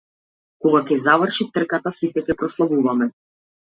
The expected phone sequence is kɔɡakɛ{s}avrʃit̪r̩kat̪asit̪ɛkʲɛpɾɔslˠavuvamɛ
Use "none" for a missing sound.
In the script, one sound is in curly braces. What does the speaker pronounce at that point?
z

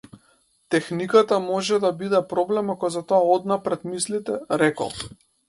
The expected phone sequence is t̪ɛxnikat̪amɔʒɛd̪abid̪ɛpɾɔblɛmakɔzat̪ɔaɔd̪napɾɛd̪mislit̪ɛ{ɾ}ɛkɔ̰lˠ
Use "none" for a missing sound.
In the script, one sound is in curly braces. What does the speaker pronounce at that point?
ɾ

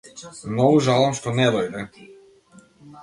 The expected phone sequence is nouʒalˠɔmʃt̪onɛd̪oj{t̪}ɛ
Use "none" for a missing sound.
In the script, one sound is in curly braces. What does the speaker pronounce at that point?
d̪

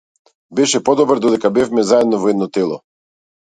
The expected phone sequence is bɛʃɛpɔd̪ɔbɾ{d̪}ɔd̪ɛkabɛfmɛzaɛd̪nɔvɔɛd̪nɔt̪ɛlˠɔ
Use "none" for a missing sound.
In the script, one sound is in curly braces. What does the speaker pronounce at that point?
d̪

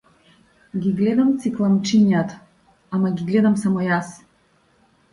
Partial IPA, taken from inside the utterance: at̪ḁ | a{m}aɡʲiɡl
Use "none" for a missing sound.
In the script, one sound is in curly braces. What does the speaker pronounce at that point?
m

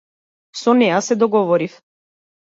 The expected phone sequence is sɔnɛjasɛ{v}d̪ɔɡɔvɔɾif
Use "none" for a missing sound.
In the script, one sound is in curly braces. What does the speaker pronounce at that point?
none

